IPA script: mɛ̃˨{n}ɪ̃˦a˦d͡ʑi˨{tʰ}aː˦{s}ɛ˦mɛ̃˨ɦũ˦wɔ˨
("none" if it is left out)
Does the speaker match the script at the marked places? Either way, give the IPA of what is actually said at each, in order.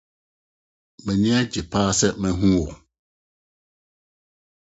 ɲ, pʰ, s

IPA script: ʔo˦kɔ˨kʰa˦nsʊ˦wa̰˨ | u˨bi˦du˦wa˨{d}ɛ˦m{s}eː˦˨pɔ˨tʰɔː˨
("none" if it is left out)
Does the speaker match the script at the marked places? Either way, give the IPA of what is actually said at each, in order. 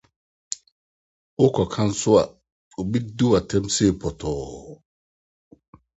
t, s

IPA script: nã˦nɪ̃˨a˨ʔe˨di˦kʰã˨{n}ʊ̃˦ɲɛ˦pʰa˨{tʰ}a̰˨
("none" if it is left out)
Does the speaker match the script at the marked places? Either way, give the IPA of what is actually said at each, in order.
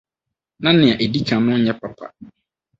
n, pʰ

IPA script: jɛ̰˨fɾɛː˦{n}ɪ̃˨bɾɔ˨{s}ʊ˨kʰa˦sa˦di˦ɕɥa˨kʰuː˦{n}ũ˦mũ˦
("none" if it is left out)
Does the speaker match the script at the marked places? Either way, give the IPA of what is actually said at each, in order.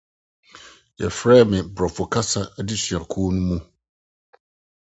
m, f, n

